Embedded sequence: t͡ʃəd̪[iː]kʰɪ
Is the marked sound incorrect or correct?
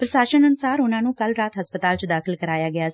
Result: incorrect